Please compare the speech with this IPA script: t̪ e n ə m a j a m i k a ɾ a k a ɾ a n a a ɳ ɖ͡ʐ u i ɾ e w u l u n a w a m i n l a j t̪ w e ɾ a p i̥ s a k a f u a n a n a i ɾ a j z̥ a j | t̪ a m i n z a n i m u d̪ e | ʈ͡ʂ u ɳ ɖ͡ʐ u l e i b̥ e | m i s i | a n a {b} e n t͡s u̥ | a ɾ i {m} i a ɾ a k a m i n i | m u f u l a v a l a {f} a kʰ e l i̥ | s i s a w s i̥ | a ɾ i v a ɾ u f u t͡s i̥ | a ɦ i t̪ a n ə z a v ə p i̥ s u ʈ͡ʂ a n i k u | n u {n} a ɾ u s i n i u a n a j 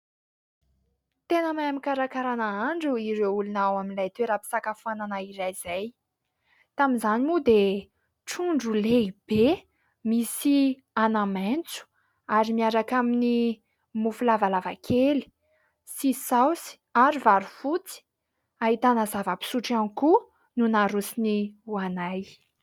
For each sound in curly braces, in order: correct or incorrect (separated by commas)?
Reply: incorrect, correct, incorrect, correct